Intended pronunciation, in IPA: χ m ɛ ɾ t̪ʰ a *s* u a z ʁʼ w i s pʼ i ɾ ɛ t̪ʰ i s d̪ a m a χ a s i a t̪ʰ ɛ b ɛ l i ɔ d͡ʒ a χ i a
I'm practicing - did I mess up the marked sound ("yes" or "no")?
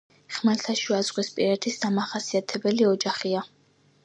yes